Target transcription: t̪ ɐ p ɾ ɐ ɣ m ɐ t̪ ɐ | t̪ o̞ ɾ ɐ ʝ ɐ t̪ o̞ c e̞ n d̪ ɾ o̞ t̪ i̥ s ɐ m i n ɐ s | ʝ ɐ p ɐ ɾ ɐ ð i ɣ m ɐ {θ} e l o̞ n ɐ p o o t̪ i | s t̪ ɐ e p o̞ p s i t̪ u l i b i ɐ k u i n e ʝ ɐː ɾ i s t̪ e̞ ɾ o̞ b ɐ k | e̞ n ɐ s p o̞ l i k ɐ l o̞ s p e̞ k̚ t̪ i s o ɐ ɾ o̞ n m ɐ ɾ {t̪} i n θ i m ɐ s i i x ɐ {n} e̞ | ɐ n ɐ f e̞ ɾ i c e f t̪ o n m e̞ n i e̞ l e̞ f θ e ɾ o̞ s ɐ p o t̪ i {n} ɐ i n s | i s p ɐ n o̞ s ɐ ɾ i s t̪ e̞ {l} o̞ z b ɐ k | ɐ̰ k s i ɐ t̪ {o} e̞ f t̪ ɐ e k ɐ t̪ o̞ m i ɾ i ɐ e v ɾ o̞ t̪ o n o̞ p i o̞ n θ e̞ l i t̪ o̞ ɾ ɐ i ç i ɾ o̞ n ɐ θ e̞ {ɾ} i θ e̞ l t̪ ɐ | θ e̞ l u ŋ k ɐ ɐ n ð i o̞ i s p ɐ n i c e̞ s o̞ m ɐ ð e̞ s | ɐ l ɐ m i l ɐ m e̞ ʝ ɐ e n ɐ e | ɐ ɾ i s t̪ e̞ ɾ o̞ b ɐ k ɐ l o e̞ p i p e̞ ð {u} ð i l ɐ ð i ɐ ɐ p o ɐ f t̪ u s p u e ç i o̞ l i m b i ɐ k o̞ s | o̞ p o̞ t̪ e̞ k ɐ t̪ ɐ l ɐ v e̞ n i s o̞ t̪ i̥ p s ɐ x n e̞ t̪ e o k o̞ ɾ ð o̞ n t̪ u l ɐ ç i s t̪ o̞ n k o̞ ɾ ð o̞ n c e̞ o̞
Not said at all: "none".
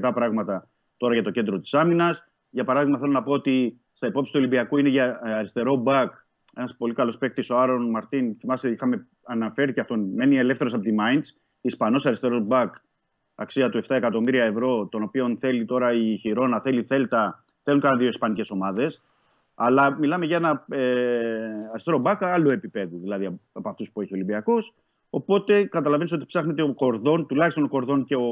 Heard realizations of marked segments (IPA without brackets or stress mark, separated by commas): θ, t̪, m, m, ɾ, u, l, u